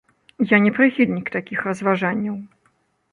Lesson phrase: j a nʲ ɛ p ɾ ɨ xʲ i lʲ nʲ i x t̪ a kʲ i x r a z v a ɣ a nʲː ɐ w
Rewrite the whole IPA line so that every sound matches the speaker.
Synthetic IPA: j a nʲ ɛ p ɾ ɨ xʲ i lʲ nʲ i k t̪ a kʲ i x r ɐ z v a ʐ a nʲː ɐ w